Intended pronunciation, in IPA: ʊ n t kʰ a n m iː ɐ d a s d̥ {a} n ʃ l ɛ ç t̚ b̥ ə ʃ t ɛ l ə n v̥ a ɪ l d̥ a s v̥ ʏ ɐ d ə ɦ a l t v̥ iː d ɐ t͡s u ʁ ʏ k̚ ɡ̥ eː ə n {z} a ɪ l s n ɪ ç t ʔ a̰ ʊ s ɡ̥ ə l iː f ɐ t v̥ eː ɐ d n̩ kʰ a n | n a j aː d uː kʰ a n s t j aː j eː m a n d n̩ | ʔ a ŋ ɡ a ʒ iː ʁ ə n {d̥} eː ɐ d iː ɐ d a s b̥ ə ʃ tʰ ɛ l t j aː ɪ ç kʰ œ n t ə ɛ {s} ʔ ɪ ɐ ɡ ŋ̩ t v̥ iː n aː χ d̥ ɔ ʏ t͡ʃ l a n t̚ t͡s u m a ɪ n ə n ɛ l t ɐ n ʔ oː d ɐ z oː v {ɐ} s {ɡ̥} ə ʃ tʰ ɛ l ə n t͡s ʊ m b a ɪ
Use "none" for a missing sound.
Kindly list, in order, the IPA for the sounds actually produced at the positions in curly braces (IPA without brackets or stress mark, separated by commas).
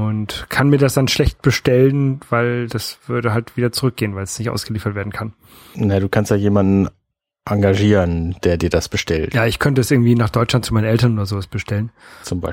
a, v, d̥, s, a, b̥